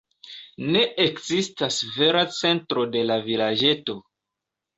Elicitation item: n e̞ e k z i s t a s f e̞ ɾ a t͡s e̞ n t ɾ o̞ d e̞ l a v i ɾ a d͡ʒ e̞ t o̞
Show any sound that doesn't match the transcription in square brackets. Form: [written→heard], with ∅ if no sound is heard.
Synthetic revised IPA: n e̞ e k z i s t a s [f→v] e̞ ɾ a t͡s e̞ n t ɾ o̞ d e̞ l a v i [ɾ→l] a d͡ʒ e̞ t o̞